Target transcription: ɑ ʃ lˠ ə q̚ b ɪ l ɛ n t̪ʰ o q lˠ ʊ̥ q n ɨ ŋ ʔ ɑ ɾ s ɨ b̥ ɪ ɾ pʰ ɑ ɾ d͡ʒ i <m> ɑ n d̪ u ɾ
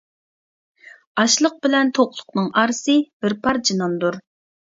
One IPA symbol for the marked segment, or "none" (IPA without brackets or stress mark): n